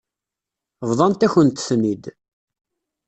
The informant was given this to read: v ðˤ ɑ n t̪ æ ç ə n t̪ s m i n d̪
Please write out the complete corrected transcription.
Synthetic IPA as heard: v ðˤ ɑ n t̪ æ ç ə n t̪ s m i d̪